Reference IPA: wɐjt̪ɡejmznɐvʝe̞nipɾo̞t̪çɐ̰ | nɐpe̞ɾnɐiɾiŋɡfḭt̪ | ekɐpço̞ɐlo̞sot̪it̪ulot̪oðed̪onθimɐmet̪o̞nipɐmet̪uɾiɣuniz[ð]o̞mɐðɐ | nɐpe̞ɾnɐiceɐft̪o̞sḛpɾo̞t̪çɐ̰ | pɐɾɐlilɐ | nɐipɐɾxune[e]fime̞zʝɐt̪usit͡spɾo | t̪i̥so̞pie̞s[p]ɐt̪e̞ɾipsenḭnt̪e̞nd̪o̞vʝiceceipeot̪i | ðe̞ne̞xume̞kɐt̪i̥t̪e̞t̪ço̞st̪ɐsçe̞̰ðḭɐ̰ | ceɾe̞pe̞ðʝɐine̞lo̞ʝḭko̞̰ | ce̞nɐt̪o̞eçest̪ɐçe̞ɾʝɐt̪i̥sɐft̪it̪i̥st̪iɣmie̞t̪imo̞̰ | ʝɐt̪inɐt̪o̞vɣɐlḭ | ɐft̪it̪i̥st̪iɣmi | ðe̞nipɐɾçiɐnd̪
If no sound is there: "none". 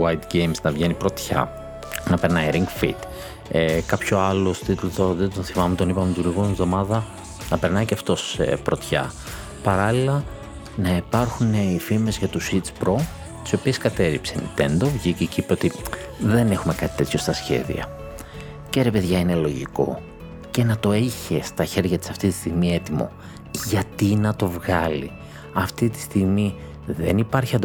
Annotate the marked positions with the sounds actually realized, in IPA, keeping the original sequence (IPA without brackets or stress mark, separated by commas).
ð, i, k